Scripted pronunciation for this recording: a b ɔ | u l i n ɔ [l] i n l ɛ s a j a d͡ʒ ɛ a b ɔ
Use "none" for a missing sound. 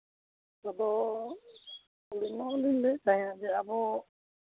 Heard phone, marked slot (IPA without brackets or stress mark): l